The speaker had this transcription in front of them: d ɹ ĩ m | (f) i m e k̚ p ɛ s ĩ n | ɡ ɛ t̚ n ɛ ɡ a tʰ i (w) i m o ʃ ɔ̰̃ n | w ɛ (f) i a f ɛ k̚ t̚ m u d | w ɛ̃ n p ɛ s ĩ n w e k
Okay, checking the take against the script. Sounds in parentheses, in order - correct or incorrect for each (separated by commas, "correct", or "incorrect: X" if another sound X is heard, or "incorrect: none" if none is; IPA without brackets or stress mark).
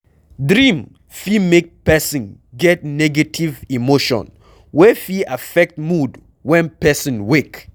correct, incorrect: v, correct